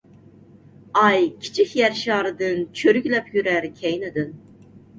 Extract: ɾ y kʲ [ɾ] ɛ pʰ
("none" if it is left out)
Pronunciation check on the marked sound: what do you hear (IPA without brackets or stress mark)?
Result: l